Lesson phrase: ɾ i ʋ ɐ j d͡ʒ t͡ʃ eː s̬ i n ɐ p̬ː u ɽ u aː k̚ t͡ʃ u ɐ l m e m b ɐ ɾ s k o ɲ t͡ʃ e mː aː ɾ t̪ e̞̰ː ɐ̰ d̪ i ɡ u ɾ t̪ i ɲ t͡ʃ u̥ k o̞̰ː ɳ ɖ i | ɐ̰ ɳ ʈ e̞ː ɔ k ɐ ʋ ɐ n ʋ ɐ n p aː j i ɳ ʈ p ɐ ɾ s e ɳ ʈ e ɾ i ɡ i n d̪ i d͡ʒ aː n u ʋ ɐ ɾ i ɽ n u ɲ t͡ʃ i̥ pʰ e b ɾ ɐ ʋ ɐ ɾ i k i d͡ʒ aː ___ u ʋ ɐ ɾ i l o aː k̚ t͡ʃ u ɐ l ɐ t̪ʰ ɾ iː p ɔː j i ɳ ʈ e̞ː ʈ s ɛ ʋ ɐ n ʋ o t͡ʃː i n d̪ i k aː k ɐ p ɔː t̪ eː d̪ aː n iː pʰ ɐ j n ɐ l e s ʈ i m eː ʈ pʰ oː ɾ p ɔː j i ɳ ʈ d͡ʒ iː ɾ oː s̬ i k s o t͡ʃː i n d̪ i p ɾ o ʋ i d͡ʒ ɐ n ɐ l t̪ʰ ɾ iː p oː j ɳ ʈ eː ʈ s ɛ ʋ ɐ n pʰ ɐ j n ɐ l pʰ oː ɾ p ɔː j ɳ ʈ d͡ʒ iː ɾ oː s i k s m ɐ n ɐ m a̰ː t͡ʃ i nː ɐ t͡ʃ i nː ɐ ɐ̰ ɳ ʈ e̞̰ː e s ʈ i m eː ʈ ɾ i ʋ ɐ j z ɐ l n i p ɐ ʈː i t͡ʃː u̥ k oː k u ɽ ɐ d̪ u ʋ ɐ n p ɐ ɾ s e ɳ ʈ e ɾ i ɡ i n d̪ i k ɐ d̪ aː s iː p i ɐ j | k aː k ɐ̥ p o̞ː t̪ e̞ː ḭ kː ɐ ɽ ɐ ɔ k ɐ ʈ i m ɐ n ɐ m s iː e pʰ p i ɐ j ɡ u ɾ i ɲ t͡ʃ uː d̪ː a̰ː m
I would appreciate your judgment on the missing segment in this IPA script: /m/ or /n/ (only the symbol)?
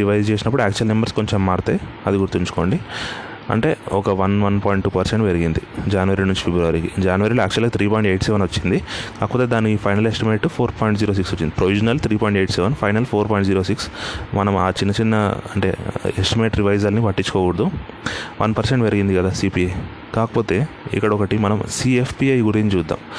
n